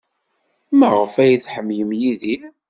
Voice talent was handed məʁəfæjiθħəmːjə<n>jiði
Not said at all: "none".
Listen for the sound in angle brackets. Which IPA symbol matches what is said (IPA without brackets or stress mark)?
m